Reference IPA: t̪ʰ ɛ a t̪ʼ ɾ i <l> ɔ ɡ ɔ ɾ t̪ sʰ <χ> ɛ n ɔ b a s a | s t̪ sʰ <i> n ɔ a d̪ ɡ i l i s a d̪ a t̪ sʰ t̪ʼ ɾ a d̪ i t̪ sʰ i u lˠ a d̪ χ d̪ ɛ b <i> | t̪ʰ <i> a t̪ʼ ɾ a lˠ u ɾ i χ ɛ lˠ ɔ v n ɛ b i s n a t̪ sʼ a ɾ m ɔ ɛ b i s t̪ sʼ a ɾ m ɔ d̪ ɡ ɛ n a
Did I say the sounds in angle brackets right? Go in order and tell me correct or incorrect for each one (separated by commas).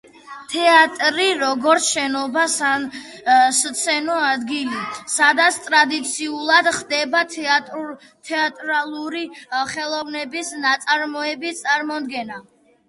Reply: incorrect, incorrect, incorrect, incorrect, incorrect